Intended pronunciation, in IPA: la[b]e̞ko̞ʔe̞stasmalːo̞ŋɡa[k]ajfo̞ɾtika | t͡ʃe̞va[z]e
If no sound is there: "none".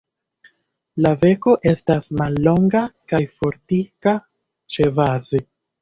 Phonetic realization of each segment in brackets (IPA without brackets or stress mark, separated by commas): v, k, z